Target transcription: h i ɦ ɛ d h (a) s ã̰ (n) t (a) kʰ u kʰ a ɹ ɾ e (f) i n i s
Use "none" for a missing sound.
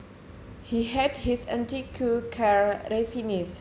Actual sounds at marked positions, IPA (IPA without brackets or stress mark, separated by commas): i, n, i, f